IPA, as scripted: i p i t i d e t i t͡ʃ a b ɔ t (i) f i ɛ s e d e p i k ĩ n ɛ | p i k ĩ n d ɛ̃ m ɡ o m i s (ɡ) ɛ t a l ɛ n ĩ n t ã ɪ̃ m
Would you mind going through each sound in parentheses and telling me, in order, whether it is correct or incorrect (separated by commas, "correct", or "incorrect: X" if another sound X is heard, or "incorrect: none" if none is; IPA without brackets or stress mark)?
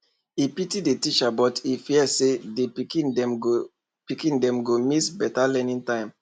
correct, incorrect: b